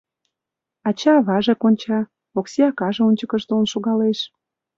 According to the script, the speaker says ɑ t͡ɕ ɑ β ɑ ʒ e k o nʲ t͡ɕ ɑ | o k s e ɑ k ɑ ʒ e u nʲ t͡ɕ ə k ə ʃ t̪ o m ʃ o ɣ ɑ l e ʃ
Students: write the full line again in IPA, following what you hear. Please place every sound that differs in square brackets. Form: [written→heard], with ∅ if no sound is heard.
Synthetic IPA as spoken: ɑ t͡ɕ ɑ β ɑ ʒ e k o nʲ t͡ɕ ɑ | o k s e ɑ k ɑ ʒ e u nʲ t͡ɕ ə k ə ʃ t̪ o [m→n] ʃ o ɣ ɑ l e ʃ